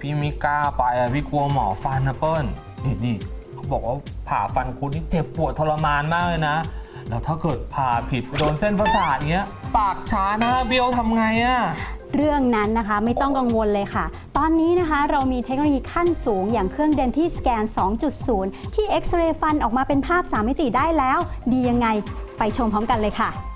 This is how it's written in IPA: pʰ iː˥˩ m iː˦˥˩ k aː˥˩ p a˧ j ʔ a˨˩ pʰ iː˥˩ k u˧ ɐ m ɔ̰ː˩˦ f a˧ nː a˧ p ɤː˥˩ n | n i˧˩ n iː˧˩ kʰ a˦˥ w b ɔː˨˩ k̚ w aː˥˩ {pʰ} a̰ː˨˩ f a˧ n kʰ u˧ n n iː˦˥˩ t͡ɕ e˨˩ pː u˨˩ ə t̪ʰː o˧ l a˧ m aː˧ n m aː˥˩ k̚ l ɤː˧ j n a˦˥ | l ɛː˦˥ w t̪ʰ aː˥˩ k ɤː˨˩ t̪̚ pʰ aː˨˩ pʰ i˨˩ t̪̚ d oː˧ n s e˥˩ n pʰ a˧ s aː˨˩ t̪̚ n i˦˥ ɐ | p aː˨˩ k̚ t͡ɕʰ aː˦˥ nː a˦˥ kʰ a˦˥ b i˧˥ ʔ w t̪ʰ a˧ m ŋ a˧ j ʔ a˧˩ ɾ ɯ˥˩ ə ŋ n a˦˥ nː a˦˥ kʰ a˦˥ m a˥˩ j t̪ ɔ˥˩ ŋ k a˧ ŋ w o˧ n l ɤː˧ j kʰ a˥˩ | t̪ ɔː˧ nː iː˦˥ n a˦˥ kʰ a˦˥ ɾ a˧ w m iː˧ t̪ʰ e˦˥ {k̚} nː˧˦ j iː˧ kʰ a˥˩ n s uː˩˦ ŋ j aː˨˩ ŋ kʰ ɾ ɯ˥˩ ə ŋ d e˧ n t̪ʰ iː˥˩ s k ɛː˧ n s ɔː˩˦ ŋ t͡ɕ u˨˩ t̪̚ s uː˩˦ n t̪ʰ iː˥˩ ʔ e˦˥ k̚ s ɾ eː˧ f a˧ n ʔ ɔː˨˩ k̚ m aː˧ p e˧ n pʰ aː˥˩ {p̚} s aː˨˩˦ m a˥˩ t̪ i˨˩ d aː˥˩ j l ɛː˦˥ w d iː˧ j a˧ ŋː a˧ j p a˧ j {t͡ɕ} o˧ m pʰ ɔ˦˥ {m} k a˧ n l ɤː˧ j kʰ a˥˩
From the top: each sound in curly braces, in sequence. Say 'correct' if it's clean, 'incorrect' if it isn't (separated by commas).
correct, correct, correct, incorrect, correct